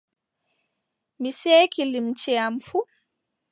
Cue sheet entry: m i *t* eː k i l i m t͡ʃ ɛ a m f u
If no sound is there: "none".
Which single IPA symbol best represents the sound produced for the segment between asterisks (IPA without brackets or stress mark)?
s